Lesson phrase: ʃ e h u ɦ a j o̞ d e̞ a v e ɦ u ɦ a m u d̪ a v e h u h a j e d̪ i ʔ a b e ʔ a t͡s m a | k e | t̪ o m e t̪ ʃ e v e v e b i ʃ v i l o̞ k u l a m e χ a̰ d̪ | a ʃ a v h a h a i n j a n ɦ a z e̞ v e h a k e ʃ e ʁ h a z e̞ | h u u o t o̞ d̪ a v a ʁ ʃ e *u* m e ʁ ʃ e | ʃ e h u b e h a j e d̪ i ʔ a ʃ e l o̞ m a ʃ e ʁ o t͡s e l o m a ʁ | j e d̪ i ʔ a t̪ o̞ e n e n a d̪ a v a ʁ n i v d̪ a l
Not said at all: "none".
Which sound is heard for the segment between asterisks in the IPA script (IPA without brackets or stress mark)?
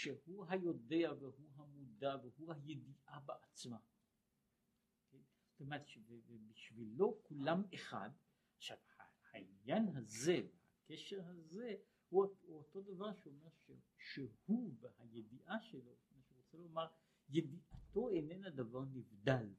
o